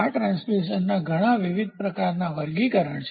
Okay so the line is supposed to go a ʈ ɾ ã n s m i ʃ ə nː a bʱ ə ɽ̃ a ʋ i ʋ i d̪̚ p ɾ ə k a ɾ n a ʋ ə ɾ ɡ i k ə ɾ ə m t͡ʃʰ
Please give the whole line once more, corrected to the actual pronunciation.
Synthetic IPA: a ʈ ɾ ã n s m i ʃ ə nː a ɡʱ ə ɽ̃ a ʋ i ʋ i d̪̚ p ɾ ə k a ɾ n a ʋ ə ɾ ɡ i k ə ɾ ə ɳ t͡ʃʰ

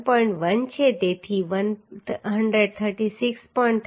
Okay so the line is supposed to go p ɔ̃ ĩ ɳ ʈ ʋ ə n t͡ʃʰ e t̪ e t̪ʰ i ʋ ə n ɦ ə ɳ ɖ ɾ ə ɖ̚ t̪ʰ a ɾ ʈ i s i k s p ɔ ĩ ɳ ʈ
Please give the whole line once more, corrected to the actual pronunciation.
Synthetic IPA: p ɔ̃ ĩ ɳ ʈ ʋ ə n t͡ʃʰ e t̪ e t̪ʰ i ʋ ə n ɦ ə ɳ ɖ ɾ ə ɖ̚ t̪ʰ ə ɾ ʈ i s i k s p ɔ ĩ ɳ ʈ

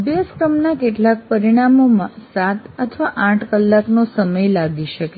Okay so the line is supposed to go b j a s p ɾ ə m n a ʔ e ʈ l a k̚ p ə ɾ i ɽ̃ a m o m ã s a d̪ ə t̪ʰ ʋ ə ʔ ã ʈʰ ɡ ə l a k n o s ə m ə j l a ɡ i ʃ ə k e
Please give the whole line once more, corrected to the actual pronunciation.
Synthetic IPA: b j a s k ɾ ə m n a k e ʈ l a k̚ p ə ɾ i ɽ̃ a m o m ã s a t̪ ə t̪ʰ ʋ a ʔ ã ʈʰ k ə lː a k n o s ə m ə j l a ɡ i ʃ ə k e

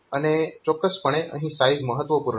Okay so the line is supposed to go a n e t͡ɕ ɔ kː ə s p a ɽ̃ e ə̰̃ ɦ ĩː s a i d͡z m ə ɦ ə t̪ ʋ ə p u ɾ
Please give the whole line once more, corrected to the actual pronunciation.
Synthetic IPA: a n e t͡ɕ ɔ kː ə s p ə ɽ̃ e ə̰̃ ɦ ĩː s a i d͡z m ə ɦ ə t̪ ʋ ə p u ɾ

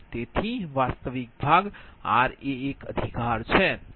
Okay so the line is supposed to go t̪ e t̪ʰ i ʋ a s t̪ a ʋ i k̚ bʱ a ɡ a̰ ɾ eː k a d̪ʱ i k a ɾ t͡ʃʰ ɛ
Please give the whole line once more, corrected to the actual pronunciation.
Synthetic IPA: t̪ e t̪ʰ i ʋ a s t̪ ə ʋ i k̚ bʱ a ɡ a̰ ɾ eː k ə d̪ʱ i k a ɾ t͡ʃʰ ɛ

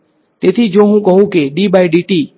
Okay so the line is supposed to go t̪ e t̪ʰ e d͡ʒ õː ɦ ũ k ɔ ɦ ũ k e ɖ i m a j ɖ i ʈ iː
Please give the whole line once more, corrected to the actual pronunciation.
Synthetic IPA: t̪ e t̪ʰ i d͡ʒ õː ɦ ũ k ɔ ɦ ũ k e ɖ i b a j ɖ i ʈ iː

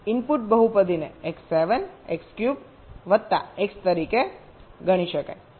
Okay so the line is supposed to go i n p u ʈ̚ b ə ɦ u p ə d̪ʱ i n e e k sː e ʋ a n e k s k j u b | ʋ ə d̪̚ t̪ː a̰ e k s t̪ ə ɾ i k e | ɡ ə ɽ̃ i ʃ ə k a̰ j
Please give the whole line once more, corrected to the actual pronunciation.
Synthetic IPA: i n p u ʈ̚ b ə ɦ u p ə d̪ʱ i n e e k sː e ʋ ə n e k s k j u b | ʋ ə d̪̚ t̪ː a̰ e k s t̪ ə ɾ i k e | ɡ ə ɽ̃ i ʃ ə k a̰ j

